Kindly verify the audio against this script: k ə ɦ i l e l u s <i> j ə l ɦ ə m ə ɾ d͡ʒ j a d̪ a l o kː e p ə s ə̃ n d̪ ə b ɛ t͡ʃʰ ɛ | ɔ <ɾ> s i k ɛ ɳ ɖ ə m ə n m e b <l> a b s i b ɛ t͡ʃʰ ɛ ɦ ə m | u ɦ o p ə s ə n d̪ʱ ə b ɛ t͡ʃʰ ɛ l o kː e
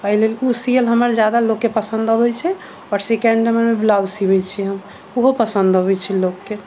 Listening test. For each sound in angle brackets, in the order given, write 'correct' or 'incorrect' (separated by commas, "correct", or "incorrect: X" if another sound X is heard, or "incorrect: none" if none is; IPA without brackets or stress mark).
correct, correct, correct